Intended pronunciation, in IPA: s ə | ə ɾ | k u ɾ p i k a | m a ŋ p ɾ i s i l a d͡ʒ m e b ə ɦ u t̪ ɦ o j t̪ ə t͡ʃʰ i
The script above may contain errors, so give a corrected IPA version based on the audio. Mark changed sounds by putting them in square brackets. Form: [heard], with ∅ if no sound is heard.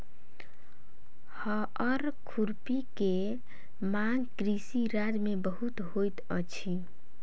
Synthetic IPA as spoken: [h] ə | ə ɾ | [kʰ] u ɾ p i k [e] | m a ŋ [k] ɾ i s i [ɾ] a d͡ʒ m e b ə ɦ u t̪ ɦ o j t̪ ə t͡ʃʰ i